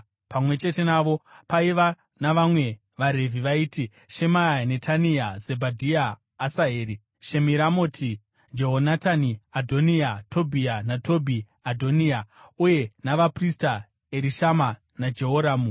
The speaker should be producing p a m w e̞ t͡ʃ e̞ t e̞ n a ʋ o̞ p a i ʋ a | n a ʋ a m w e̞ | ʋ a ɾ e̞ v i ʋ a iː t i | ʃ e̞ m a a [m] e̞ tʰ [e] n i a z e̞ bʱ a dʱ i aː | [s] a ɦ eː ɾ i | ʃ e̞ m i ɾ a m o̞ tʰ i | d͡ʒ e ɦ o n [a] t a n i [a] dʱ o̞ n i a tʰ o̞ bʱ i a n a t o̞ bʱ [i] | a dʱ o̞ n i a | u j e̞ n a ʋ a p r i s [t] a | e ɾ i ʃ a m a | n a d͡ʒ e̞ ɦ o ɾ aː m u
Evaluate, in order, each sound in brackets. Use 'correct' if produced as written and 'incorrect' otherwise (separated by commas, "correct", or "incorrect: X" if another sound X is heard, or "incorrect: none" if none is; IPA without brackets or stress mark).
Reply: incorrect: n, incorrect: a, correct, correct, correct, correct, correct